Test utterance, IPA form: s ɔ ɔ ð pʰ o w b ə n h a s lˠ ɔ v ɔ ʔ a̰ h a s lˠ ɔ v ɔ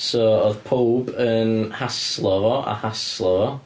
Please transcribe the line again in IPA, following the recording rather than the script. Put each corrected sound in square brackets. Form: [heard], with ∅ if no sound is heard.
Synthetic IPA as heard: s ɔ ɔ ð pʰ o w b ə n h a s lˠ ɔ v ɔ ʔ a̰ h a s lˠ ɔ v ɔ